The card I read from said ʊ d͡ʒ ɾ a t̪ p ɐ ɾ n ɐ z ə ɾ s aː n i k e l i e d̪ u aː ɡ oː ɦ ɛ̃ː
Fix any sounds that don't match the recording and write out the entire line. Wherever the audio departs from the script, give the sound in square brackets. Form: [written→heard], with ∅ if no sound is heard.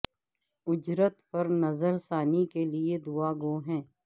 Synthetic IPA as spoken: ʊ d͡ʒ ɾ [a→ə] t̪ p ɐ ɾ n ɐ z ə ɾ s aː n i k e l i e d̪ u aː ɡ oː ɦ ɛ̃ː